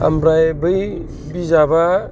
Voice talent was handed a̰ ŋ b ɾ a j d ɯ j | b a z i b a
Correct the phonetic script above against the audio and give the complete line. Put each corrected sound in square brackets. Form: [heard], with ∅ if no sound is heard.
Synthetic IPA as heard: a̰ [m] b ɾ a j [b] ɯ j | b [i] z [a] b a